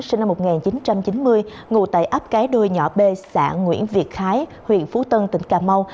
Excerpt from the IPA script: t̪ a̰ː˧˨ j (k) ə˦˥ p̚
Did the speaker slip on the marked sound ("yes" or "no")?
yes